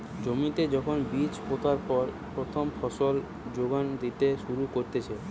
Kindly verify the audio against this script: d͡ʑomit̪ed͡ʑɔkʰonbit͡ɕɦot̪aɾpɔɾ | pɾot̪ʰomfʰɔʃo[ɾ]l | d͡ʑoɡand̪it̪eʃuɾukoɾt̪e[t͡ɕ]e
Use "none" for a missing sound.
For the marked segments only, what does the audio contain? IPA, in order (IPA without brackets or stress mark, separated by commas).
none, t͡ɕʰ